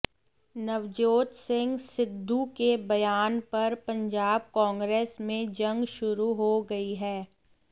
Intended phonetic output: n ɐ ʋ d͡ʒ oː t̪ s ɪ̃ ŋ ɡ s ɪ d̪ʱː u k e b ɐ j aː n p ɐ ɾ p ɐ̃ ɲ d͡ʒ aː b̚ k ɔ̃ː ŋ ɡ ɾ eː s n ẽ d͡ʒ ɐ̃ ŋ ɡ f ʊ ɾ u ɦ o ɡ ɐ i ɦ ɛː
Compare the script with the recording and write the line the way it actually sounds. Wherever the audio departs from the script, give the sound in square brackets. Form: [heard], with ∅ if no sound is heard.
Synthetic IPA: n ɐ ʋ d͡ʒ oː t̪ s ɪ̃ ŋ ɡ s ɪ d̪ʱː u k e b ɐ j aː n p ɐ ɾ p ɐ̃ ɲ d͡ʒ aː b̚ k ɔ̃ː ŋ ɡ ɾ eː s [m] ẽ d͡ʒ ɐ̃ ŋ ɡ [ʃ] ʊ ɾ u ɦ o ɡ ɐ i ɦ ɛː